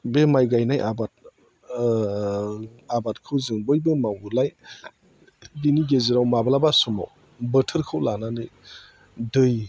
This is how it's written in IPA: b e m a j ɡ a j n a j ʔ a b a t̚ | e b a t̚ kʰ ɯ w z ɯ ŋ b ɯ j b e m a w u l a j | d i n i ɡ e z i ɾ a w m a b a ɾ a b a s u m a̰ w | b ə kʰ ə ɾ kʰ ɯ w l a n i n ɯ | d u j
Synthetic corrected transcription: b e m a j ɡ a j n a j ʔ a b a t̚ | a b a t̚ kʰ ɯ w z ɯ ŋ b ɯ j b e m a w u l a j | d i n i ɡ e z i ɾ a w m a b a l a b a s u m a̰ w | b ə tʰ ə ɾ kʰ ɯ w l a n a n ɯ | d ɯ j